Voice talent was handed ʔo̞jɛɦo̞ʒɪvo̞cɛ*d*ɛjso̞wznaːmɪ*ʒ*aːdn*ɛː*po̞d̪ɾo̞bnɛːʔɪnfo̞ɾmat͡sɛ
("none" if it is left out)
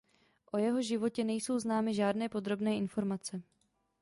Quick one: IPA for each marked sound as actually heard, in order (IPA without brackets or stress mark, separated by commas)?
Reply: n, ʒ, ɛː